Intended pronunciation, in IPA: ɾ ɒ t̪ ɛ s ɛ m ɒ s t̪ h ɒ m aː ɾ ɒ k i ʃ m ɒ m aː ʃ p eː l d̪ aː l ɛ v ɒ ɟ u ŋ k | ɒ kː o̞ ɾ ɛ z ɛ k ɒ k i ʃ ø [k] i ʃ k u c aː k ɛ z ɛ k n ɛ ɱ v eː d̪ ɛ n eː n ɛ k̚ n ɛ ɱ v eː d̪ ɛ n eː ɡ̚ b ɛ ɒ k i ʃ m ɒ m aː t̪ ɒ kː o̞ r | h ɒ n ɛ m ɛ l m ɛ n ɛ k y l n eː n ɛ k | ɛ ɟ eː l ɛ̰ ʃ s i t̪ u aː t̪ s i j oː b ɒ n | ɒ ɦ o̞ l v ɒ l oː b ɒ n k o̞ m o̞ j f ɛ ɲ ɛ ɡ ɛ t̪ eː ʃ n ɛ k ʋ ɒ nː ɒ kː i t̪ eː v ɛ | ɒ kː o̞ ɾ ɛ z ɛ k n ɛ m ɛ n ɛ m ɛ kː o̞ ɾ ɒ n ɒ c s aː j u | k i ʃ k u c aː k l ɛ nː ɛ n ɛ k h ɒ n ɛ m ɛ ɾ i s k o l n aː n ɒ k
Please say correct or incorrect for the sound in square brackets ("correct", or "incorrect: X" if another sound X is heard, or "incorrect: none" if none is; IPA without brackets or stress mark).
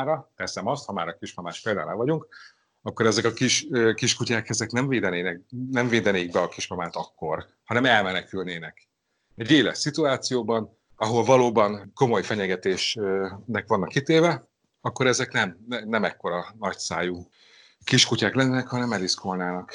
correct